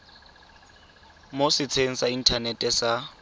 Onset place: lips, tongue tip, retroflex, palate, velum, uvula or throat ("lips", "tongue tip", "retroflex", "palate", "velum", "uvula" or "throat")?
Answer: lips